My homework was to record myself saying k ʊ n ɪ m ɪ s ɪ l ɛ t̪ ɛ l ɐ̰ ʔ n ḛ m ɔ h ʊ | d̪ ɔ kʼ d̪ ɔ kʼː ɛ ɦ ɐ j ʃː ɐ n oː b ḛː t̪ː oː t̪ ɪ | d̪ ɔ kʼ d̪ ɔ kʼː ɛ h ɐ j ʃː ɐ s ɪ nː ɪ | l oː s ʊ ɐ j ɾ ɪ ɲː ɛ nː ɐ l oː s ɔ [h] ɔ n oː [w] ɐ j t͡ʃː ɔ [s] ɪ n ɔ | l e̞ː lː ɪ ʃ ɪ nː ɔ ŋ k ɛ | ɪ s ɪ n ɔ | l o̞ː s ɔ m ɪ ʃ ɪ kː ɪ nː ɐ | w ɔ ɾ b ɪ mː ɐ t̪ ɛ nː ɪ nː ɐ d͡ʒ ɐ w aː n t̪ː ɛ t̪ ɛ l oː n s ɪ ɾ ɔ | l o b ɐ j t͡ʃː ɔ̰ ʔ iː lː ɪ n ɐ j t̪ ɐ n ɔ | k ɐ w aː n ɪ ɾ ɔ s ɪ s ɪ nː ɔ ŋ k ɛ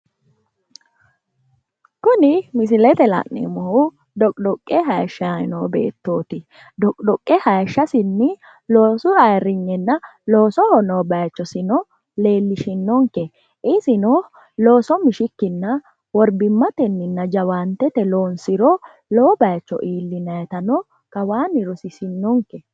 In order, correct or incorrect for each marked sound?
correct, incorrect: b, correct

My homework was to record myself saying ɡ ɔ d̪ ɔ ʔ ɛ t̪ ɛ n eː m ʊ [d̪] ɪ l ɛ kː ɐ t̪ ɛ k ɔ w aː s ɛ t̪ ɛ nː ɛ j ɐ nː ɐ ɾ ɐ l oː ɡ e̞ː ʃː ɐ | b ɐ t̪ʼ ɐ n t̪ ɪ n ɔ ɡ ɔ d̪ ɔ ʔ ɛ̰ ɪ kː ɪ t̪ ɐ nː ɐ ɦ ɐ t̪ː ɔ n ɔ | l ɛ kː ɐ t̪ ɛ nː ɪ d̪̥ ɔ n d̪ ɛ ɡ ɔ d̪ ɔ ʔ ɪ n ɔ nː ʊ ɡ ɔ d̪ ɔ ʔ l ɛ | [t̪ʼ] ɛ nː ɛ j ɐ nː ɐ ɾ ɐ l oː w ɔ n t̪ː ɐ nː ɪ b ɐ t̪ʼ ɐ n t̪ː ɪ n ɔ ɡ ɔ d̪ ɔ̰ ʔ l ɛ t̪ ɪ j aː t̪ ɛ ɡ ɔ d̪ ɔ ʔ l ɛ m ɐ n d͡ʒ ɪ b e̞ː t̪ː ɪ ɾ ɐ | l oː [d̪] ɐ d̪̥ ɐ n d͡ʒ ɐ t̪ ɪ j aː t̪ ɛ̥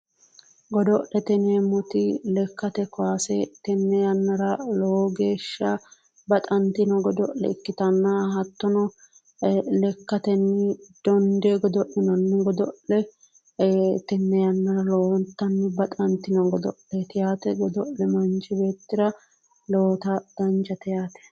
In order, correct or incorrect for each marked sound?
incorrect: t̪, incorrect: t̪, incorrect: t̪

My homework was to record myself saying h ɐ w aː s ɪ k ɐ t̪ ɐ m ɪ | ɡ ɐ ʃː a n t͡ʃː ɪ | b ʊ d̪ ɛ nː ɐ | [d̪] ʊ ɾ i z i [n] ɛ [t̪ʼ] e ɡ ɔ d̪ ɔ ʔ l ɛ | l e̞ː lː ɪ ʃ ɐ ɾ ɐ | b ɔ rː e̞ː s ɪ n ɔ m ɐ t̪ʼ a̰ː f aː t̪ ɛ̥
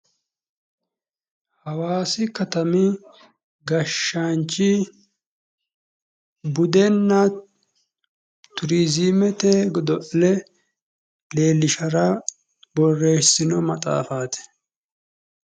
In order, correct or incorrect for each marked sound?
incorrect: t̪, incorrect: m, incorrect: t̪

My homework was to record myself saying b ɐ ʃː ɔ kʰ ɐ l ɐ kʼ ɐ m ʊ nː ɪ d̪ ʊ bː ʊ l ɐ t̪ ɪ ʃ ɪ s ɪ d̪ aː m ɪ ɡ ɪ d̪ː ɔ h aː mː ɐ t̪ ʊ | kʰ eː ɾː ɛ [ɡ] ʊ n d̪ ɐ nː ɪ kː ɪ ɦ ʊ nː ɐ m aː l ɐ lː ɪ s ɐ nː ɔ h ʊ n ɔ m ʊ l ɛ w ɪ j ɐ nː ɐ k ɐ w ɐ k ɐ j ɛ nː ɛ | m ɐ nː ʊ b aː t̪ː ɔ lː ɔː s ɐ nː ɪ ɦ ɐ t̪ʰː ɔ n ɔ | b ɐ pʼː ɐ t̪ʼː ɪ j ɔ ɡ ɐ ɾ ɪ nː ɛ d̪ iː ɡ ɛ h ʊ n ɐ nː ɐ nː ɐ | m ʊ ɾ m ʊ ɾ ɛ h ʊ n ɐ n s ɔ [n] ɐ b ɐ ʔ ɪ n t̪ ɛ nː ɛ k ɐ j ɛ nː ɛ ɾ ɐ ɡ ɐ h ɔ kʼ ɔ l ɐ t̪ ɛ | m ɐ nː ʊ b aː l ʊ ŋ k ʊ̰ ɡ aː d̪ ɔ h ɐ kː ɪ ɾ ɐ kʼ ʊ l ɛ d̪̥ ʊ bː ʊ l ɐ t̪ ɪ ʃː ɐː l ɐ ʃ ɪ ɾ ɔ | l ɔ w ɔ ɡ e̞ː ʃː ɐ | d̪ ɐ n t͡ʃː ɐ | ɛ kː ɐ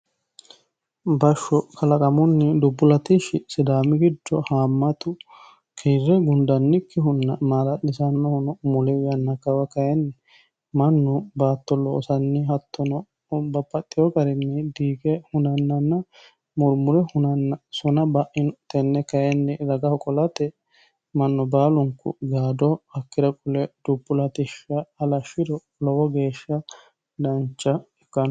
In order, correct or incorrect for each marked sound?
correct, correct

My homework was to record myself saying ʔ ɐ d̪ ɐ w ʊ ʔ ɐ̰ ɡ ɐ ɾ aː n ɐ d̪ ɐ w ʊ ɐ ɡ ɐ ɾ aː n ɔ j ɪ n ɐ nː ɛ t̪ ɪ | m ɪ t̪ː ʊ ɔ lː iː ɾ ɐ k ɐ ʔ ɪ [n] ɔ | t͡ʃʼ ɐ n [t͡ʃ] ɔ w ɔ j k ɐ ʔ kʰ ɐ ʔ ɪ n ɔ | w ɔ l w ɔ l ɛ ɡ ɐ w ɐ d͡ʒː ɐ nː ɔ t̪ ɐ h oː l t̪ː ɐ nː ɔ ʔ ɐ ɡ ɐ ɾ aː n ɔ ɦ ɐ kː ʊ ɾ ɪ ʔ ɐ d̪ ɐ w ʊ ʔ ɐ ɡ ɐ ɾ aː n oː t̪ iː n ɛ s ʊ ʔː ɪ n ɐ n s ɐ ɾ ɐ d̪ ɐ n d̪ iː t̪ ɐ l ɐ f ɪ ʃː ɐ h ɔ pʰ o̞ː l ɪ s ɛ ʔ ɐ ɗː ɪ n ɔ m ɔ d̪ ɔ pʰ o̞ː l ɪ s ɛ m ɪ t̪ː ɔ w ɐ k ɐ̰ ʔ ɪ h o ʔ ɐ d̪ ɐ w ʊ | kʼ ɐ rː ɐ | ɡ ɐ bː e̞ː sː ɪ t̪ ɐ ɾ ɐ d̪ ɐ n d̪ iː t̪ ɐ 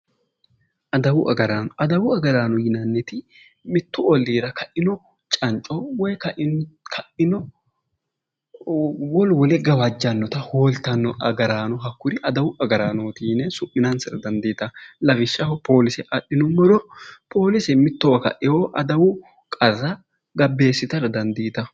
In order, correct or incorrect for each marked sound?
correct, incorrect: t͡ʃʼ

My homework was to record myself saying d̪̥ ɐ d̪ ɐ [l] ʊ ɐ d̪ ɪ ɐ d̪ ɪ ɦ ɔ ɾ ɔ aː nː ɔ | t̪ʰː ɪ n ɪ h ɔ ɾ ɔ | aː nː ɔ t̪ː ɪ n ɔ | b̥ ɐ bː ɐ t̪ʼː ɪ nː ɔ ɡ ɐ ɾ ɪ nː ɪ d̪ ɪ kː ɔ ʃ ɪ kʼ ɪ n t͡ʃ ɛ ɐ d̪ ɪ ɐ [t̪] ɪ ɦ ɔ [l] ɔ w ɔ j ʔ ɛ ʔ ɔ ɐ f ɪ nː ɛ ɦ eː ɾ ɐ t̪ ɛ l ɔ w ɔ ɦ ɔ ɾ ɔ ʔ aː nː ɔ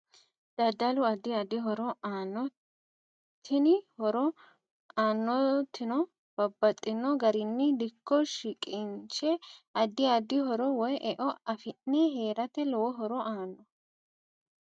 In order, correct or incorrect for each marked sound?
correct, incorrect: d̪, incorrect: ɾ

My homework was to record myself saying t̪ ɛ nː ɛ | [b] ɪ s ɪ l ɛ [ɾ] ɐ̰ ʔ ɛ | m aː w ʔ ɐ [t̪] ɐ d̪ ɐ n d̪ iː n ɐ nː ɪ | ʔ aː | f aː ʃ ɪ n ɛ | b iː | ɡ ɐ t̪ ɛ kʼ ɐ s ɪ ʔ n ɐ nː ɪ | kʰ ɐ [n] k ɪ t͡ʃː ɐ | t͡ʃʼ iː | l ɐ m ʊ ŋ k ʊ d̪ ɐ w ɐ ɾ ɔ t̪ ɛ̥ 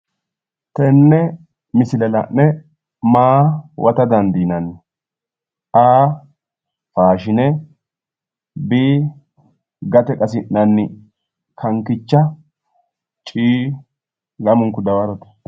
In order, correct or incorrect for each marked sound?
incorrect: m, incorrect: l, correct, incorrect: ŋ

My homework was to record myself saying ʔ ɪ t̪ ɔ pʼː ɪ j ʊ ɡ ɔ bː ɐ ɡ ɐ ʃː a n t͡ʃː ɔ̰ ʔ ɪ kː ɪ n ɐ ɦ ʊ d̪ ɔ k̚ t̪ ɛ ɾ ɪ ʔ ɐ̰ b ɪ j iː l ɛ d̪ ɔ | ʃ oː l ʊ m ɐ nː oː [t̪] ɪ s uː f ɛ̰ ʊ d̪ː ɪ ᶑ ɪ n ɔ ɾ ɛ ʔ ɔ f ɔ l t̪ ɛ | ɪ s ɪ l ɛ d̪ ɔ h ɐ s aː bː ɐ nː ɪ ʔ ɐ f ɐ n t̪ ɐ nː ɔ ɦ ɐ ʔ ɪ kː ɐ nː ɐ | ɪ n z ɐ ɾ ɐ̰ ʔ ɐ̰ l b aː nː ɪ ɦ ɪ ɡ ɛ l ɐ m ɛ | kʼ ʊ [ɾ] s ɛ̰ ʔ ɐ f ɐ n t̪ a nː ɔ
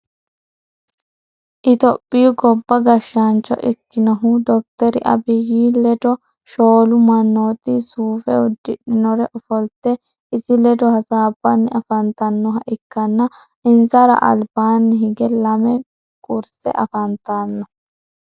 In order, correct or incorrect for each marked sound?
correct, correct

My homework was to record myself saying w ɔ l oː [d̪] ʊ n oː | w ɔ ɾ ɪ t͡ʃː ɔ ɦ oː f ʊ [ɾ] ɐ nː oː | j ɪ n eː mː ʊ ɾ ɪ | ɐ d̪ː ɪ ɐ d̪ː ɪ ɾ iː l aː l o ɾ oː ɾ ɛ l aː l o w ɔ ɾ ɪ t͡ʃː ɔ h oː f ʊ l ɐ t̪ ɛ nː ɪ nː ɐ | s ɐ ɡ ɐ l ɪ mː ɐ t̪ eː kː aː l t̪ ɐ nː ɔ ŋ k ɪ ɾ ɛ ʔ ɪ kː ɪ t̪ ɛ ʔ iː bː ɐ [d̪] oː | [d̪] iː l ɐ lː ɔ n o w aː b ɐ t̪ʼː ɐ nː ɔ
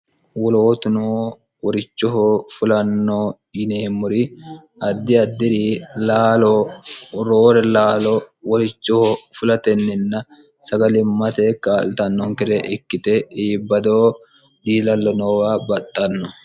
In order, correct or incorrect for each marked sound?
incorrect: t̪, incorrect: l, correct, correct

